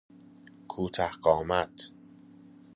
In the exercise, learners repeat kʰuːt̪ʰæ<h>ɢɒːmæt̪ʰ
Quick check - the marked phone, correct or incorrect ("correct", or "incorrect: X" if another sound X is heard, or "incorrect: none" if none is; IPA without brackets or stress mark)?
correct